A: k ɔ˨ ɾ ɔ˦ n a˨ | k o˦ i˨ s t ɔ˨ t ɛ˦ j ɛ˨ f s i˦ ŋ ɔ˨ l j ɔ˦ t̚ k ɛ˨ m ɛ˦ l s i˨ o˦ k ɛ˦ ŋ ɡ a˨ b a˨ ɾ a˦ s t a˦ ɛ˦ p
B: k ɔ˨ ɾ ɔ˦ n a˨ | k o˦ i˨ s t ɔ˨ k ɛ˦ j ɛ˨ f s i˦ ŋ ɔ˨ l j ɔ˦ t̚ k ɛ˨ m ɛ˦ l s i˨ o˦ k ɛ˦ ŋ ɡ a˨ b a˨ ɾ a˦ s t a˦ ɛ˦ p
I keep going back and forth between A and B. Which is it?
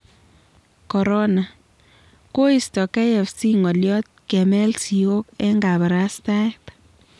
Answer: B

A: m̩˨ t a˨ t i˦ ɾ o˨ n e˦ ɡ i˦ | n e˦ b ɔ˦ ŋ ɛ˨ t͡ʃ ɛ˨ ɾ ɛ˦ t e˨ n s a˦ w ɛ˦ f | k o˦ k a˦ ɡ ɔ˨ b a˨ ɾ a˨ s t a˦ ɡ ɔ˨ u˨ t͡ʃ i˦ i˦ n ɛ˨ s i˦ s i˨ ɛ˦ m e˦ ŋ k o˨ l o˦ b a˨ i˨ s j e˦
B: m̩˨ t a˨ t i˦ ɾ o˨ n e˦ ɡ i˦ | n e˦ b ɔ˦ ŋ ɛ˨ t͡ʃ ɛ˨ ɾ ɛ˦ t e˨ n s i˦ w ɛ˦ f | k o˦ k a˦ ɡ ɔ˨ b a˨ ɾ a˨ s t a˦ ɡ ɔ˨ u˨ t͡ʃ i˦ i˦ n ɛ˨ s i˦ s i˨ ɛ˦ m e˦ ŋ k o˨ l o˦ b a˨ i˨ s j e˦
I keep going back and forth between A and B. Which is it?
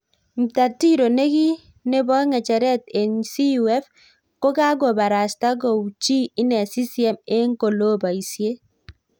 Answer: B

